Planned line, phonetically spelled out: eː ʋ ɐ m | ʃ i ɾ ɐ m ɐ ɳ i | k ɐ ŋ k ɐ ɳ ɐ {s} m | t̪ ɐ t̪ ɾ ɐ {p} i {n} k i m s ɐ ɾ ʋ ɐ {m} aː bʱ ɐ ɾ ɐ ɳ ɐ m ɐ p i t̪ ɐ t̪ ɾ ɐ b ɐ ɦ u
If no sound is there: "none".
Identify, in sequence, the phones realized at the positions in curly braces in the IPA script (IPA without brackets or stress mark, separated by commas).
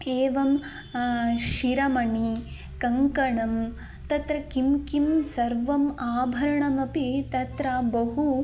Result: none, k, m, m